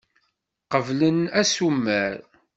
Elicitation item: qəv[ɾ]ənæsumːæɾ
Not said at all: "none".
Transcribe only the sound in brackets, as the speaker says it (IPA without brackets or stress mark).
l